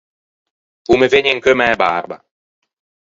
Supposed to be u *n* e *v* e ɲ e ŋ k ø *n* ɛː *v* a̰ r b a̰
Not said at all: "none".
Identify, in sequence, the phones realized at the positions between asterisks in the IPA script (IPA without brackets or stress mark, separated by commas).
m, v, m, b